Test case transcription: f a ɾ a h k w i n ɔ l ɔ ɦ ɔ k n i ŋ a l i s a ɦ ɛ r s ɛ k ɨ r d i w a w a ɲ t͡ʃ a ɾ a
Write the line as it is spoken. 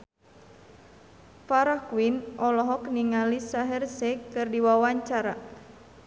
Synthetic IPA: f a ɾ a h k w i n ɔ l ɔ ɦ ɔ k n i ŋ a l i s a ɦ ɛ r s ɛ k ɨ r d i w a w a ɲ t͡ʃ a ɾ a

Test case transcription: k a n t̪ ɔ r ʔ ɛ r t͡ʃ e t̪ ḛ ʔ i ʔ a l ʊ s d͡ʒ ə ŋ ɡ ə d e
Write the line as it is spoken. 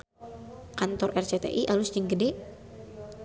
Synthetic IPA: k a n t̪ ɔ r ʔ ɛ r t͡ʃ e t̪ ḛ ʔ i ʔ a l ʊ s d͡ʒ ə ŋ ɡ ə d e

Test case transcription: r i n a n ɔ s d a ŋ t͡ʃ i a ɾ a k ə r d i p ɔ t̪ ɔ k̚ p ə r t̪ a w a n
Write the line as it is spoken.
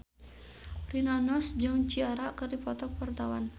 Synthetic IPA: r i n a n ɔ s d͡ʒ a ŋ t͡ʃ i a ɾ a k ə r d i p ɔ t̪ ɔ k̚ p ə r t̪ a w a n

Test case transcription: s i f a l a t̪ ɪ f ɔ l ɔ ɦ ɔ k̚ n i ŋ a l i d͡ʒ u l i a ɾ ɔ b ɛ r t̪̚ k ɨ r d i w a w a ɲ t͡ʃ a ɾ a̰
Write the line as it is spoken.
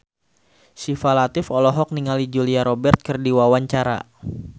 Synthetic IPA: s i f a l a t̪ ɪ f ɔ l ɔ ɦ ɔ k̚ n i ŋ a l i d͡ʒ u l i a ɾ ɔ b ɛ r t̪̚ k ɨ r d i w a w a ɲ t͡ʃ a ɾ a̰

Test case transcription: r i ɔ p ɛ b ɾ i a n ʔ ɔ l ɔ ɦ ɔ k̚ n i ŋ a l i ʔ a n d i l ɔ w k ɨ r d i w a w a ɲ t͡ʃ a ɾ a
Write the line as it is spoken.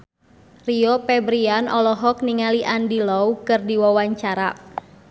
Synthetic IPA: r i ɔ p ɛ b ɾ i a n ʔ ɔ l ɔ ɦ ɔ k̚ n i ŋ a l i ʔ a n d i l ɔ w k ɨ r d i w a w a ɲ t͡ʃ a ɾ a

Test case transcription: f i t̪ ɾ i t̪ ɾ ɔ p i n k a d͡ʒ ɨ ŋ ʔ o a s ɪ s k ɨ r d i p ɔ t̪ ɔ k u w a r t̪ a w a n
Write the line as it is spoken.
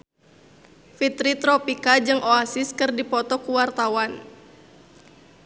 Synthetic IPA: f i t̪ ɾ i t̪ ɾ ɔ p i k a d͡ʒ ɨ ŋ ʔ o a s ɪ s k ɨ r d i p ɔ t̪ ɔ k u w a r t̪ a w a n

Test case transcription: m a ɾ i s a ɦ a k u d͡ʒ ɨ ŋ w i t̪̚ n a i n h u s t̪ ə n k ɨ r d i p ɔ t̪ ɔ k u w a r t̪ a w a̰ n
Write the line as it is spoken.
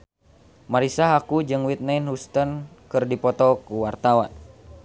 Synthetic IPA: m a ɾ i s a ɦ a k u d͡ʒ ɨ ŋ w i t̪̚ n a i n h u s t̪ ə n k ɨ r d i p ɔ t̪ ɔ k u w a r t̪ a w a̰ n

